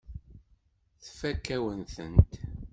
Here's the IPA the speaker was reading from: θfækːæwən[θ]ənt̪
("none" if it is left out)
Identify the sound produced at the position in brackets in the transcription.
θ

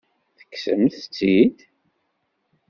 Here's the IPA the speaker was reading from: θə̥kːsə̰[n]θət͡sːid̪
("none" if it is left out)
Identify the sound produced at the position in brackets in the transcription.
m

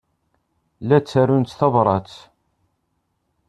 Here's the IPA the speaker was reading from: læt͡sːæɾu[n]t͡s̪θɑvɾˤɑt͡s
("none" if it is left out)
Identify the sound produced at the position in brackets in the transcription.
n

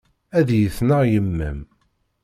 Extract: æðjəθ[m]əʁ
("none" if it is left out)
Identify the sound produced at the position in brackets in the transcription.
n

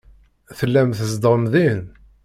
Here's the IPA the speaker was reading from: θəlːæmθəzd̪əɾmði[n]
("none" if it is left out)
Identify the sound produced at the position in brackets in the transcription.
n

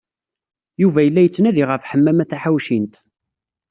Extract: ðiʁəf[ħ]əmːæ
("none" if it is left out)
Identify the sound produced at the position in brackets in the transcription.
ħ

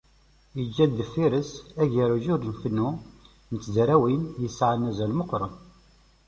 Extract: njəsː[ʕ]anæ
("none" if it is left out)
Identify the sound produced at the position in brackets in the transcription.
ʕ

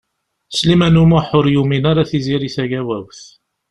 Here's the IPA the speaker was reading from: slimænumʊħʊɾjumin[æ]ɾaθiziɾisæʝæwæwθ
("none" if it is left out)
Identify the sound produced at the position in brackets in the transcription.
a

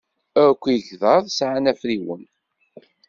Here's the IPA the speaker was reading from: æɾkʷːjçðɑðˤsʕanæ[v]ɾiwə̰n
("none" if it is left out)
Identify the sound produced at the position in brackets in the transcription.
f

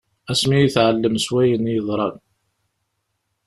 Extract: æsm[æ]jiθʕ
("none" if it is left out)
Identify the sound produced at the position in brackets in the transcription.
i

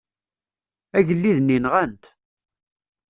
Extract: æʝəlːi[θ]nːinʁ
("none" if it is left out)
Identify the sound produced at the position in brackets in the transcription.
ð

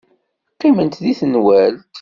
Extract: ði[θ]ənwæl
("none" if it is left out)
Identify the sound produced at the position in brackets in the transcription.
θ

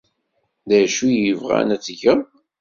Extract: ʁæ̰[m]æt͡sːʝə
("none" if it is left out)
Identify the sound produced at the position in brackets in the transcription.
n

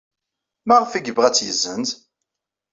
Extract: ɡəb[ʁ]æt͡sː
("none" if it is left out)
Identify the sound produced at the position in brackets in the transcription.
ʁ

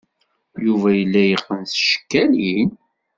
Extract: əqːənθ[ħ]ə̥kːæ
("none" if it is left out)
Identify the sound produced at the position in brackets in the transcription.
ʃ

